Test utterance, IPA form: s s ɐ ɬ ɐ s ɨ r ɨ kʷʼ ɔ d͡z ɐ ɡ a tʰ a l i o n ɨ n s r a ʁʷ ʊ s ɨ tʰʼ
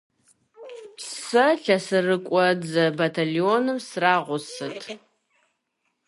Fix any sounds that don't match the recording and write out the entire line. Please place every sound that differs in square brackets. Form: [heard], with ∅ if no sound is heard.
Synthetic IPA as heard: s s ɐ ɬ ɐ s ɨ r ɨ kʷʼ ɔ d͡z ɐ [b] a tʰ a l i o n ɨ [m] s r a ʁʷ ʊ s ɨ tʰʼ